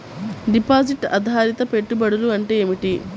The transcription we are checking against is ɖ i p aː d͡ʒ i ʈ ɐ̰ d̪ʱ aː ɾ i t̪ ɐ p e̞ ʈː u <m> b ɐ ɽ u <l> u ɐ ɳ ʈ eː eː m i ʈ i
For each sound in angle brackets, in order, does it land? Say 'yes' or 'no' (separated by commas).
no, yes